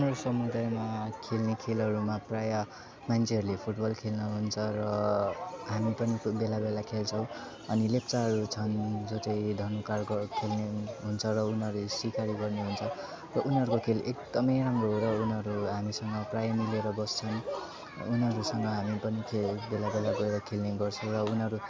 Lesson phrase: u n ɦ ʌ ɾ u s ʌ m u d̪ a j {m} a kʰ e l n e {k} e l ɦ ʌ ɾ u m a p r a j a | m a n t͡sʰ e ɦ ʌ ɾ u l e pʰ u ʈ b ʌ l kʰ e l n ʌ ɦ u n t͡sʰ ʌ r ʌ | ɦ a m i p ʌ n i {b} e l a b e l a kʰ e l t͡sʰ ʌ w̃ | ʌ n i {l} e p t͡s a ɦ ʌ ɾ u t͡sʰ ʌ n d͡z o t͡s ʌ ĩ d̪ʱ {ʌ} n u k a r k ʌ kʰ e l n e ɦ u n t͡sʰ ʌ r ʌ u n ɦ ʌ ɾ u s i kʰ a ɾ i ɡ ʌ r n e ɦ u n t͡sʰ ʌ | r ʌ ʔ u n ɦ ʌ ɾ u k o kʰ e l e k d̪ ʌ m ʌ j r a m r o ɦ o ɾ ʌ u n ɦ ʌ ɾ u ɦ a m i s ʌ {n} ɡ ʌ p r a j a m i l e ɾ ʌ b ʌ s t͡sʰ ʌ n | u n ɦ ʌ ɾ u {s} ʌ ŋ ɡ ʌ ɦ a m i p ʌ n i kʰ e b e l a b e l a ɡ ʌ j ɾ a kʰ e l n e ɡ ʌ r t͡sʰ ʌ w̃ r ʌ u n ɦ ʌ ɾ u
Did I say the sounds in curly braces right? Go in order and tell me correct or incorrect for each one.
correct, incorrect, correct, correct, correct, incorrect, correct

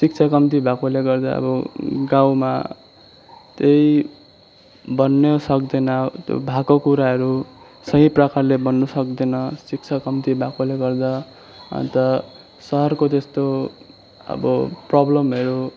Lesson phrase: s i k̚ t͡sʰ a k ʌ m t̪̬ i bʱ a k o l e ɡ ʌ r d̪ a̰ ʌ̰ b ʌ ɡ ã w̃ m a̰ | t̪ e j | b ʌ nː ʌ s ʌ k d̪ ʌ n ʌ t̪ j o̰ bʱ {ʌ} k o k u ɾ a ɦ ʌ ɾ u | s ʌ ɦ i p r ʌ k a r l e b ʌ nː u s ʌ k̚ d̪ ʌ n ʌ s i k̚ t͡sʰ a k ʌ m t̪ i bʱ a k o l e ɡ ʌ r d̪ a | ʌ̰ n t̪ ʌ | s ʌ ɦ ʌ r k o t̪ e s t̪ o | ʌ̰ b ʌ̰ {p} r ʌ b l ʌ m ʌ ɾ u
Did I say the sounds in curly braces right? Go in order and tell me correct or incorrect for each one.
incorrect, correct

